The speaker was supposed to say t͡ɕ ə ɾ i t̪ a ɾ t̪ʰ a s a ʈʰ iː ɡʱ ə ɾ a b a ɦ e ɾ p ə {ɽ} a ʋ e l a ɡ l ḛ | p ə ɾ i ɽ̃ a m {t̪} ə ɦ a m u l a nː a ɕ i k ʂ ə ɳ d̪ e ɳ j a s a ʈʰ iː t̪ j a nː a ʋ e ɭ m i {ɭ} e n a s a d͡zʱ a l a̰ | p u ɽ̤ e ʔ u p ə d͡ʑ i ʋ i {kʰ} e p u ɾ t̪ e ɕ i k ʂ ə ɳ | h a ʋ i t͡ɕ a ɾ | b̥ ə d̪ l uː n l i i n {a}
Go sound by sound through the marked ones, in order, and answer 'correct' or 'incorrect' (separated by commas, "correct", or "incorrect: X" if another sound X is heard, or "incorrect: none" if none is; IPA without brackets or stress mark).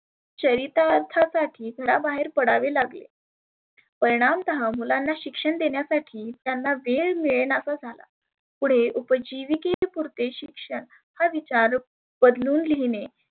correct, correct, correct, incorrect: k, incorrect: e